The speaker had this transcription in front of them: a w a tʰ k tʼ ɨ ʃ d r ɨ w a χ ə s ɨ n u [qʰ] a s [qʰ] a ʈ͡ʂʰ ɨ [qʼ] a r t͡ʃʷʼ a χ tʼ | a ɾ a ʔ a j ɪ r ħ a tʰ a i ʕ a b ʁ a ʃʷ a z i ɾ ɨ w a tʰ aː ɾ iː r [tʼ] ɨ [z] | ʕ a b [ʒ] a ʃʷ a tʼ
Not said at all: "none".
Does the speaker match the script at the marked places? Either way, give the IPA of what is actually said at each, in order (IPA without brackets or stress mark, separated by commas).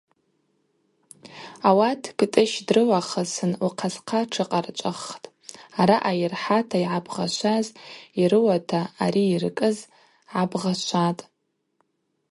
qʰ, qʰ, qʼ, kʼ, z, ʁ